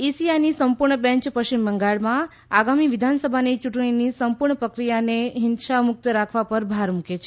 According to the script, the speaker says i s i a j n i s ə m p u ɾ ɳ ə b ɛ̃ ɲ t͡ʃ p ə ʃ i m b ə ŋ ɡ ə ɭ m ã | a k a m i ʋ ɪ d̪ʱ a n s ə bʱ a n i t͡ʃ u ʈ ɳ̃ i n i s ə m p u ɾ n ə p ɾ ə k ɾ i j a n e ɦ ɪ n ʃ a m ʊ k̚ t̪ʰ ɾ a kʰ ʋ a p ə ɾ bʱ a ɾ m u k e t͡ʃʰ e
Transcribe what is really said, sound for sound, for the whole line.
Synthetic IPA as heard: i s i a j n i s ə m p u ɾ ɳ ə b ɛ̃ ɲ t͡ʃ p ə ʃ i m b ə ŋ ɡ a ɭ m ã | a ɡ a m i ʋ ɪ d̪ʱ a n s ə bʱ a n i t͡ʃ u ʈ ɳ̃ i n i s ə m p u ɾ ɳ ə p ɾ ə k ɾ i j a n e ɦ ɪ n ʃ a m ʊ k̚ t̪ ɾ a kʰ ʋ a p ə ɾ bʱ a ɾ m u k e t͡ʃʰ e